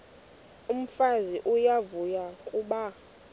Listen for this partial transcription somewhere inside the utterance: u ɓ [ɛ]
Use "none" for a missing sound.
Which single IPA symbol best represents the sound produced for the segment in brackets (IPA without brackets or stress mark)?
a